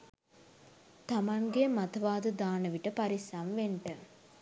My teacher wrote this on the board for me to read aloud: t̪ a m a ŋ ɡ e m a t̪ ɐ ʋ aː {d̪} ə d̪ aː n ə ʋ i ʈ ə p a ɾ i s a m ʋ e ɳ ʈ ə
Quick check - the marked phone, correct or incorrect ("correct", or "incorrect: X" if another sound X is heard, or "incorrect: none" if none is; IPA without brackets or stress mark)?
correct